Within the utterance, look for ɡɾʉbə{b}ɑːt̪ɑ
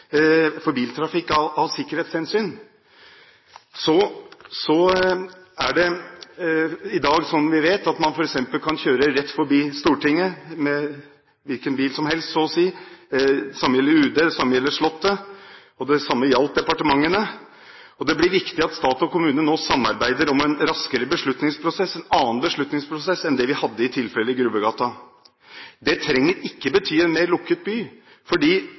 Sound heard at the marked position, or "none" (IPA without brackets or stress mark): ɡ